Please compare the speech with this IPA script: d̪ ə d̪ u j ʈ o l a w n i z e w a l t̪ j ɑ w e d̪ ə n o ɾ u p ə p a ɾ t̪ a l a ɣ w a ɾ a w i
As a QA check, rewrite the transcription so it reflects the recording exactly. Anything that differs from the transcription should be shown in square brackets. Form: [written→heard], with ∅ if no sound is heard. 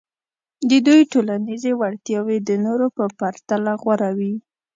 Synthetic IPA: d̪ ə d̪ u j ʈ o l a [w→∅] n i z e w a [l→ɽ] t̪ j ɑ w e d̪ ə n o ɾ [u→o] p ə p a ɾ t̪ a l a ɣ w a ɾ a w i